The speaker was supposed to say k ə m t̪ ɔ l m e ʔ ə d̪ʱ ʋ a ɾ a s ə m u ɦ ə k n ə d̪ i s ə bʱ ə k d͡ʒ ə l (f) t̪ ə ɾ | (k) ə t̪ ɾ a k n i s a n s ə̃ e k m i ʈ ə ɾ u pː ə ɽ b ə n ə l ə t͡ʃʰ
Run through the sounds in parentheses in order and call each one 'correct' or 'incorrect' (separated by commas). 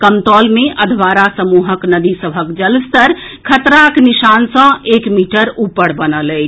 incorrect, incorrect